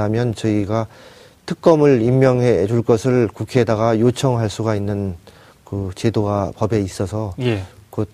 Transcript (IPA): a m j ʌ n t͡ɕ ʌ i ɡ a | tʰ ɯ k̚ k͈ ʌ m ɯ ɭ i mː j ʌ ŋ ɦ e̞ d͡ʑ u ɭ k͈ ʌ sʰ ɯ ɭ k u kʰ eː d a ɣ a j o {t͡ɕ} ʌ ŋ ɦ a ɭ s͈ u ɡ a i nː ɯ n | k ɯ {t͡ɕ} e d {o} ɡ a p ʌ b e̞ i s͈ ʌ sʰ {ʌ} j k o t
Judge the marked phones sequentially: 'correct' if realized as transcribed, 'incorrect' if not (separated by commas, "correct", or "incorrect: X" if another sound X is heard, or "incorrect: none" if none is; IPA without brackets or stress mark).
incorrect: t͡ɕʰ, correct, correct, correct